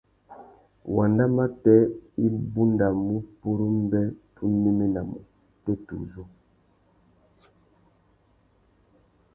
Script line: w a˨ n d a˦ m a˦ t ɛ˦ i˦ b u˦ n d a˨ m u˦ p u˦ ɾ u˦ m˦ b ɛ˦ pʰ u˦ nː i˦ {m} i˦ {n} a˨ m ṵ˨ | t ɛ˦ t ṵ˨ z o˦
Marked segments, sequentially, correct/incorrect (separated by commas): correct, correct